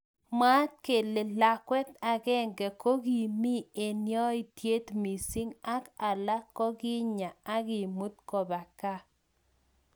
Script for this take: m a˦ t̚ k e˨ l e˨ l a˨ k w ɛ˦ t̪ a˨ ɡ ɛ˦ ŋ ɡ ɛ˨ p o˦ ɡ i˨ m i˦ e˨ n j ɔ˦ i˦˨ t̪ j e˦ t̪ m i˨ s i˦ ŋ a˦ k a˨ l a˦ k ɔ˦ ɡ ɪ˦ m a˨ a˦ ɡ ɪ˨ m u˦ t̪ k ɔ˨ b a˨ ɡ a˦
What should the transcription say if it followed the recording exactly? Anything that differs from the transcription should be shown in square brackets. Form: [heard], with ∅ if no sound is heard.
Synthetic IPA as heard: m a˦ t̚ k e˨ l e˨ l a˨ k w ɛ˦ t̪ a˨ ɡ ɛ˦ ŋ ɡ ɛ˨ [k] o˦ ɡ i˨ m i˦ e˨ n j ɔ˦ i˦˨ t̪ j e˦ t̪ m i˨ s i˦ ŋ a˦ k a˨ l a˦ k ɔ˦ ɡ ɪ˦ [ɲ] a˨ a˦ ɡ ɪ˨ m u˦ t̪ k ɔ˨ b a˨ [k] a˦